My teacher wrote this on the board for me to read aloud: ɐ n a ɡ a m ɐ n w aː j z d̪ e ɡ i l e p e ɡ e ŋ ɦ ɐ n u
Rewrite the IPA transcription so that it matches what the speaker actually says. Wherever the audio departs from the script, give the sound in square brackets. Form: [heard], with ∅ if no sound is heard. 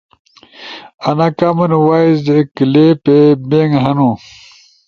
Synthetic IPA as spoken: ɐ n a [k] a m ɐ n w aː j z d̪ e [k] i l e p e [b] e ŋ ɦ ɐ n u